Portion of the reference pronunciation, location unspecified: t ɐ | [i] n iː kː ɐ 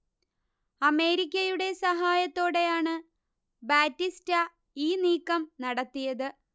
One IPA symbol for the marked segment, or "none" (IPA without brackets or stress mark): iː